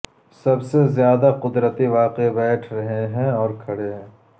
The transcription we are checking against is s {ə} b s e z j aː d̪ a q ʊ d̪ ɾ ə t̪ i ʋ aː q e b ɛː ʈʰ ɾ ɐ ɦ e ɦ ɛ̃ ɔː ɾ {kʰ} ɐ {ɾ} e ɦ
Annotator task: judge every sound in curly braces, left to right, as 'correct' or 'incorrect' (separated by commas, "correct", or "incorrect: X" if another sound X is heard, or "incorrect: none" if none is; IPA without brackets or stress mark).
incorrect: ɐ, correct, incorrect: ɽ